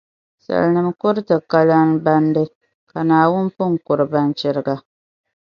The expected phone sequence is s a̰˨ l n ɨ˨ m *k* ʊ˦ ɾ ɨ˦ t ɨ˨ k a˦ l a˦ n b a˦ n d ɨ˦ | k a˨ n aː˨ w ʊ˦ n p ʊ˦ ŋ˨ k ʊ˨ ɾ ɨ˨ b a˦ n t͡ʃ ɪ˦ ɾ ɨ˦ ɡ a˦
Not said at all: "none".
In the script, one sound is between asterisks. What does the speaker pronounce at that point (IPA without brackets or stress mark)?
k